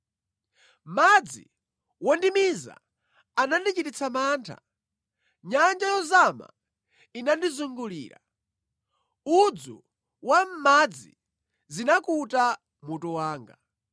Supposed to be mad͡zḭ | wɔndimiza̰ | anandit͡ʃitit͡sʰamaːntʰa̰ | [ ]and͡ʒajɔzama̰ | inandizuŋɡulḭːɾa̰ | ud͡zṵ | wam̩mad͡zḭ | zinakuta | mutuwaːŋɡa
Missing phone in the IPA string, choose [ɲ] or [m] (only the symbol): ɲ